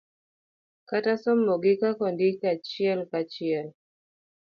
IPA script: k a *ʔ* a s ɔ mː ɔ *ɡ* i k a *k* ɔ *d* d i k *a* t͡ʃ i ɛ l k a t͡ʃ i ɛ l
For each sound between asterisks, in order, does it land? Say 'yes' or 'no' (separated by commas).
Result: no, yes, yes, no, yes